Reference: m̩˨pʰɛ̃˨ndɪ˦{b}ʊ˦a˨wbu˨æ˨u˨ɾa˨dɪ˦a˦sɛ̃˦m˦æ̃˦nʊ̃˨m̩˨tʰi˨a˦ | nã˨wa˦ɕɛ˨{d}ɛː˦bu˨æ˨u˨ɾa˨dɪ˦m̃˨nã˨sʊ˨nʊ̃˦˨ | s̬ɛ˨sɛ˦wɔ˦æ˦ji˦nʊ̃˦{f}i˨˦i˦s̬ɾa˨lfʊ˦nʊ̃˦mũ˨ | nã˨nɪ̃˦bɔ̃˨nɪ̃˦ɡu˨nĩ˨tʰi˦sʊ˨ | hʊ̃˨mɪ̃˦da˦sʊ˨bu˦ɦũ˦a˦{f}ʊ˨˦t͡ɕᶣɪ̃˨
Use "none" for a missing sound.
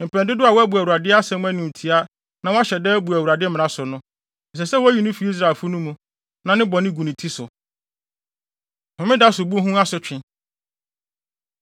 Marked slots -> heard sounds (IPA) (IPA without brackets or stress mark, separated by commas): d, d, f, s